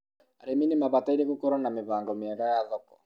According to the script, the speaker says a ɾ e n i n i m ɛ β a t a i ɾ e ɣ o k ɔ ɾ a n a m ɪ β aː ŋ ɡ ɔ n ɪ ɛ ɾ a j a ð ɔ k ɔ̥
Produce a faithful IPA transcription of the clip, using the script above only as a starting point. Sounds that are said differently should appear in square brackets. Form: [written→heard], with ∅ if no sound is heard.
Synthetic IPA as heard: a ɾ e [n→m] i n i m [ɛ→a] β a t a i ɾ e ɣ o k ɔ ɾ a n a m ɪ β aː ŋ ɡ ɔ [n→m] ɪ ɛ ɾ a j a ð ɔ k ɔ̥

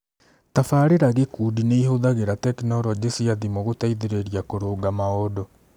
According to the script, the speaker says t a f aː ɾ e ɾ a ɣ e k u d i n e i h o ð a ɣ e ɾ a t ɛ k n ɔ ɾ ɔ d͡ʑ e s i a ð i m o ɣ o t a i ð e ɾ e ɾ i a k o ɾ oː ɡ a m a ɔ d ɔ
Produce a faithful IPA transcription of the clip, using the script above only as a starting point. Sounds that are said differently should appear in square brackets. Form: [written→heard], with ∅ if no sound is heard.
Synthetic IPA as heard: t a f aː ɾ e ɾ a ɣ e k u d i n e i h o ð a ɣ e ɾ a t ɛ k n ɔ ɾ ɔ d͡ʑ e s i a ð i m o ɣ o t a i ð e ɾ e ɾ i a k o ɾ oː ɡ a m a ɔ d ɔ

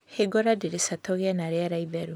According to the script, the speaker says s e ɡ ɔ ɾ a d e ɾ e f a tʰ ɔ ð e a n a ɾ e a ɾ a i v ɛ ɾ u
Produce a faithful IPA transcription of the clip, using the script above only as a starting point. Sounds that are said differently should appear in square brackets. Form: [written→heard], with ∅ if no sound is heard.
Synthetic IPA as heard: [s→h] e ɡ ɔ ɾ a d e ɾ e [f→s] a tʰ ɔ [ð→ɣ] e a n a ɾ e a ɾ a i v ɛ ɾ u

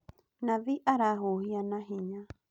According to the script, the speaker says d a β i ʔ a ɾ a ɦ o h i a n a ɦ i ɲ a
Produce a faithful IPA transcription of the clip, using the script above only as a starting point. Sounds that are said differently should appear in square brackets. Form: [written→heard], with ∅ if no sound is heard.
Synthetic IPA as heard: [d→n] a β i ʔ a ɾ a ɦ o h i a n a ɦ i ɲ a

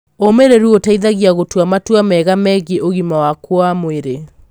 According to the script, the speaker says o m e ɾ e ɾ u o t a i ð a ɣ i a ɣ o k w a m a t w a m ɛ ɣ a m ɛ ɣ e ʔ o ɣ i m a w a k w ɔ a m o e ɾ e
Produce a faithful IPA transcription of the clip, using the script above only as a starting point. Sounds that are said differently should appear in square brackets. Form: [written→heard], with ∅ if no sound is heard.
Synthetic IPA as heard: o m e ɾ e ɾ u o t a i ð a ɣ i a ɣ o [k→t] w a m a t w a m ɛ ɣ a m ɛ ɣ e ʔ o ɣ i m a w a k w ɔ a m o e ɾ e

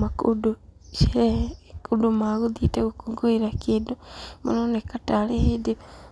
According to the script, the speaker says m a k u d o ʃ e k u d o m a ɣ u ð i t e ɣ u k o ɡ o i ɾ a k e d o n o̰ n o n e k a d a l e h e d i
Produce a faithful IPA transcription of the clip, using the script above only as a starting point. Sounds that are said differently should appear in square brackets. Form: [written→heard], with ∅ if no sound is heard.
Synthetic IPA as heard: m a k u d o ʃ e k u d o m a ɣ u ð i t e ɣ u k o ɡ o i ɾ a k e d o [n→m] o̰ n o n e k a [d→t] a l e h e d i

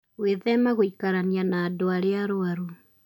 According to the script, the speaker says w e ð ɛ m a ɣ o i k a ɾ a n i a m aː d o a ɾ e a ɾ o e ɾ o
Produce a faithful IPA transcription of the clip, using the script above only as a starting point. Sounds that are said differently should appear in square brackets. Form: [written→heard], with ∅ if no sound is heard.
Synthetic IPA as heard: w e ð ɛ m a ɣ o i k a ɾ a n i a [m→n] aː d o a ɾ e a ɾ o [e→a] ɾ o

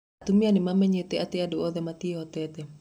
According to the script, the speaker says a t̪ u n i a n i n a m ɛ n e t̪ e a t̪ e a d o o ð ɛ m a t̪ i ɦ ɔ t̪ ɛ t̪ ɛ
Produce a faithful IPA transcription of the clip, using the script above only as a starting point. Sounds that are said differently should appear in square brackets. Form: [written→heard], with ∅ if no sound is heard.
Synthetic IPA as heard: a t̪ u [n→m] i a n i [n→m] a m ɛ [n→ɲ] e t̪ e a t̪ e a d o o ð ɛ m a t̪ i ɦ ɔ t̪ ɛ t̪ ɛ

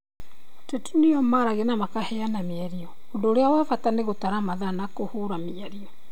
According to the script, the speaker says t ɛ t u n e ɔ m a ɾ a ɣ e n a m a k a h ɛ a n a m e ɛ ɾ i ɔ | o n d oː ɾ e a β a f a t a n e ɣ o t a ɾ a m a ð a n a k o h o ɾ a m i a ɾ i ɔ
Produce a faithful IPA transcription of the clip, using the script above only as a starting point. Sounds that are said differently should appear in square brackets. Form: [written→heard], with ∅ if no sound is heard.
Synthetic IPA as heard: t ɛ t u n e ɔ m a ɾ a ɣ e n a m a k a h ɛ a n a m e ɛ ɾ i ɔ | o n d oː ɾ e a [β→w] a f a t a n e ɣ o t a ɾ a m a ð a n a k o h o ɾ a m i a ɾ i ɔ

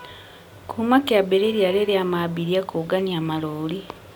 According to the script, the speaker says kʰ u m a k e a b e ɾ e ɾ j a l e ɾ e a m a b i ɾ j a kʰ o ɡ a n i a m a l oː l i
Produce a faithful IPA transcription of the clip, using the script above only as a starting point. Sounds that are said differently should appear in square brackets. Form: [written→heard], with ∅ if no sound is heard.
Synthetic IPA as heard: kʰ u m a k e a b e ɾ e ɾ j a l e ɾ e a m a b i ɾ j a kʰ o ɡ a n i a m a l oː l i

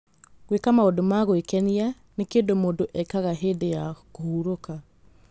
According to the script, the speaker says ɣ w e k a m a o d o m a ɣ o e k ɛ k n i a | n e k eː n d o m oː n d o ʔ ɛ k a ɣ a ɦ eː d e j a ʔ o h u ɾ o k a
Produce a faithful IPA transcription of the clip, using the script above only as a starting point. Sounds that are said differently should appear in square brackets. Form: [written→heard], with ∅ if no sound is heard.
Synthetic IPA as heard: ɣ w e k a m a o d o m a ɣ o e k ɛ [k→∅] n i a | n e k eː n d o m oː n d o ʔ ɛ k a ɣ a ɦ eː d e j a [ʔ→k] o h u ɾ o k a

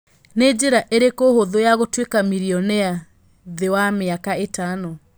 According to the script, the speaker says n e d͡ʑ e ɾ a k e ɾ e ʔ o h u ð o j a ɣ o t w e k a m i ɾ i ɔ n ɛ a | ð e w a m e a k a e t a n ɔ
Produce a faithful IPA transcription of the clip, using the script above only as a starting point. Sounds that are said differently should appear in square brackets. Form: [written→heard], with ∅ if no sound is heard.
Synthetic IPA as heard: n e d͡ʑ e ɾ a [k→ʔ] e ɾ e [ʔ→k] o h [u→o] ð o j a ɣ o t w e k a m i ɾ i ɔ n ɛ a | ð e w a m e a k a e t a n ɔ

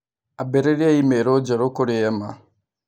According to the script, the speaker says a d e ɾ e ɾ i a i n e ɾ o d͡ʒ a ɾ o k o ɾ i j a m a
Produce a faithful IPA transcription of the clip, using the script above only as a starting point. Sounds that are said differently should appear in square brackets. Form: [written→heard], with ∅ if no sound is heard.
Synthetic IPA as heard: a [d→b] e ɾ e ɾ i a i [n→m] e ɾ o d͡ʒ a ɾ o k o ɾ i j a m a

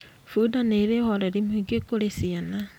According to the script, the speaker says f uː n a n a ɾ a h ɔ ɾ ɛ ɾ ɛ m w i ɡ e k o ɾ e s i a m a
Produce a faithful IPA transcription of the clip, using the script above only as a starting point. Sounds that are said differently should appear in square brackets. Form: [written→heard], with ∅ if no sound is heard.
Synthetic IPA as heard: f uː [n→d] a n [a→e] ɾ [a→e] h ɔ ɾ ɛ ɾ [ɛ→i] m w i ɡ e k o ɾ e s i a [m→n] a

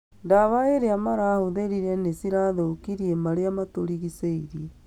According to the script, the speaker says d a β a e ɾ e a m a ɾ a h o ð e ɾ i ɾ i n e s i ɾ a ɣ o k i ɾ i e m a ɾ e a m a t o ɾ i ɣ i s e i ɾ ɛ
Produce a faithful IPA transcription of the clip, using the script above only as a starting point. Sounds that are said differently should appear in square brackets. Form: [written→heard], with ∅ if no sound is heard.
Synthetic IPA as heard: d a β a e ɾ e a m a ɾ a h o ð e ɾ i ɾ [i→ɛ] n e s i ɾ a [ɣ→ð] o k i ɾ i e m a ɾ e a m a t o ɾ i ɣ i s e i ɾ [ɛ→i]

